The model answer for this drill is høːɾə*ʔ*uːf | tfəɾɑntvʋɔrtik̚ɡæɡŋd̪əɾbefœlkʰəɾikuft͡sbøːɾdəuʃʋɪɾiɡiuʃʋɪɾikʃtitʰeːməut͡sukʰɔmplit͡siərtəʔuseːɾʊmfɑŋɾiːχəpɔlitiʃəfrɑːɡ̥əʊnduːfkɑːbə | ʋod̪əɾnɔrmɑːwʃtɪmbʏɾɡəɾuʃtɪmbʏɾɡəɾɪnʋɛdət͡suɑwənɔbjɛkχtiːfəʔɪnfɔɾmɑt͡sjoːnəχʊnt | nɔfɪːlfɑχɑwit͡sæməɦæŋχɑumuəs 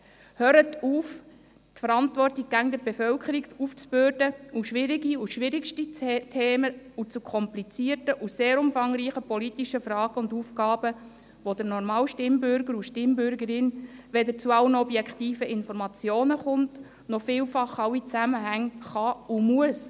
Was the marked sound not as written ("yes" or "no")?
yes